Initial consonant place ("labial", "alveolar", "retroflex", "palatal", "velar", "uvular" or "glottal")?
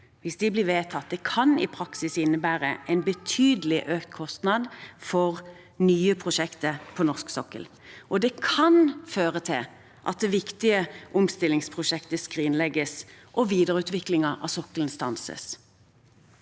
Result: labial